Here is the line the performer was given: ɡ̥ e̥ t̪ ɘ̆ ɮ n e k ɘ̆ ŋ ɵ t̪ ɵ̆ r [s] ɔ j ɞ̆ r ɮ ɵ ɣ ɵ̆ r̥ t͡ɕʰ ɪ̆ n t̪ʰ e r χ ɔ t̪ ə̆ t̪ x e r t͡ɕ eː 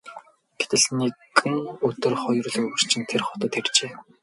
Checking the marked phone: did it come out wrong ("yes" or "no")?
yes